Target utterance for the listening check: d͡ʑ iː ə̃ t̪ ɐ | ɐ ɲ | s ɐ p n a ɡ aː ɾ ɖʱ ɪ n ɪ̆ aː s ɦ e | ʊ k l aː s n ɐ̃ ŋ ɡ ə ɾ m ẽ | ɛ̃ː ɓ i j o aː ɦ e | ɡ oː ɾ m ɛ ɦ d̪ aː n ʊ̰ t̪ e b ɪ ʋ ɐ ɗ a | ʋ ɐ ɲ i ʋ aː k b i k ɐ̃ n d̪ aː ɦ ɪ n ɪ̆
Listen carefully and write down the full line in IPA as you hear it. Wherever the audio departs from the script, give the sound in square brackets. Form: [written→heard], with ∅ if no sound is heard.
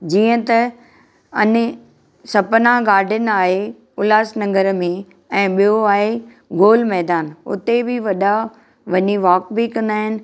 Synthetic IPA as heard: d͡ʑ iː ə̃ t̪ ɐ | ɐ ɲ | s ɐ p n a ɡ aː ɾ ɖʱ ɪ n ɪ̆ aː [s→∅] ɦ e | ʊ [k→∅] l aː s n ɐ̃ ŋ ɡ ə ɾ m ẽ | ɛ̃ː ɓ i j o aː ɦ e | ɡ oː [ɾ→l] m ɛ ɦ d̪ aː n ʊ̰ t̪ e b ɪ ʋ ɐ ɗ a | ʋ ɐ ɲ i ʋ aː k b i k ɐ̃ n d̪ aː ɦ ɪ n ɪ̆